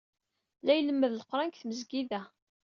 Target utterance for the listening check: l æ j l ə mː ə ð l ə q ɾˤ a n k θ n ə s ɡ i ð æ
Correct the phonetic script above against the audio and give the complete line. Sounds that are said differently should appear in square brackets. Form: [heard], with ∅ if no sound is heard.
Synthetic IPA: l æ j l ə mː ə ð l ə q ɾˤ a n k θ [m] ə [z] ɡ i ð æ